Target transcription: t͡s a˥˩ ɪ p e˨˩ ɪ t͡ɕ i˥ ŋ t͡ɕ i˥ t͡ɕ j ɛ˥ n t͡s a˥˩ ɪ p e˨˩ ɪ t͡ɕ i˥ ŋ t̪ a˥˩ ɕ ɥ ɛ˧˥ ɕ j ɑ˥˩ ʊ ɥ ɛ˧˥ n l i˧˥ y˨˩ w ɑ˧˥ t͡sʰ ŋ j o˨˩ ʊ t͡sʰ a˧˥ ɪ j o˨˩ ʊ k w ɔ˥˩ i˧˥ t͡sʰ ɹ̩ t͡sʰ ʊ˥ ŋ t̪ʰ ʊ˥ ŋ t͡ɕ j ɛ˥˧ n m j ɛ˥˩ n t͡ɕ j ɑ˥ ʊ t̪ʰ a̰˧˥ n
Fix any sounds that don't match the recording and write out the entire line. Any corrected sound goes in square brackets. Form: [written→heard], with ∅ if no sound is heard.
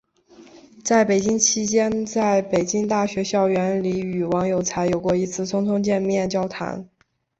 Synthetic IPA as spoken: t͡s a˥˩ ɪ p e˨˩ ɪ t͡ɕ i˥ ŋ [t͡ɕ→t͡ɕʰ] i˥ t͡ɕ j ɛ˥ n t͡s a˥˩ ɪ p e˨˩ ɪ t͡ɕ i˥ ŋ t̪ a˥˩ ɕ ɥ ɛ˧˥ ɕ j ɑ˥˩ ʊ ɥ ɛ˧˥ n l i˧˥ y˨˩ w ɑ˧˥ [t͡sʰ→∅] ŋ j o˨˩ ʊ t͡sʰ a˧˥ ɪ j o˨˩ ʊ k w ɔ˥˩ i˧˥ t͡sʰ ɹ̩ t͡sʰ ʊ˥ ŋ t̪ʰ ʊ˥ ŋ t͡ɕ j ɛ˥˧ n m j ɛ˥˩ n t͡ɕ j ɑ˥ ʊ t̪ʰ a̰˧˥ n